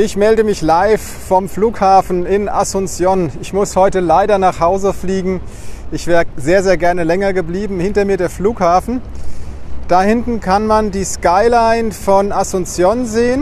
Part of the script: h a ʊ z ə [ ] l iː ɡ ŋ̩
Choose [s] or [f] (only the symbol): f